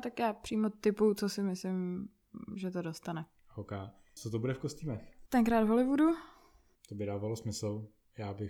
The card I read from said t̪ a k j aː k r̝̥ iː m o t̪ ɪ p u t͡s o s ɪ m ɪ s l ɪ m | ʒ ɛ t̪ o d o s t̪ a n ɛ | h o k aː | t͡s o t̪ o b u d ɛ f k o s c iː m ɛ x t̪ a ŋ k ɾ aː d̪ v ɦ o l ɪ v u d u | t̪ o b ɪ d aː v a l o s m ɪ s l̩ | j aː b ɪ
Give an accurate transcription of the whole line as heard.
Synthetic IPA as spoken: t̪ a k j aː p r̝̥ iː m o t̪ ɪ p u t͡s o s ɪ m ɪ s l ɪ m | ʒ ɛ t̪ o d o s t̪ a n ɛ | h o k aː | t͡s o t̪ o b u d ɛ f k o s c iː m ɛ x t̪ ɛ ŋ k ɾ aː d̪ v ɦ o l ɪ v u d u | t̪ o b ɪ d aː v a l o s m ɪ s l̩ | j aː b ɪ